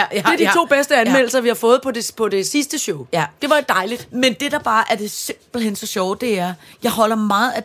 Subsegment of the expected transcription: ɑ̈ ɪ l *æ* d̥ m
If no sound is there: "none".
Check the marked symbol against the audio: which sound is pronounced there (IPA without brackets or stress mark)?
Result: i